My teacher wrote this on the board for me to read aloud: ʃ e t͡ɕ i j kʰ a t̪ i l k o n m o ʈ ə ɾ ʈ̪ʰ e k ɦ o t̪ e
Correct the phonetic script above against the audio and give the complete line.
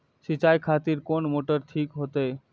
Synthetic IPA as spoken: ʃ i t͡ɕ a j kʰ a t̪ i ɾ k o n m o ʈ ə ɾ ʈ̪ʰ i k ɦ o t̪ e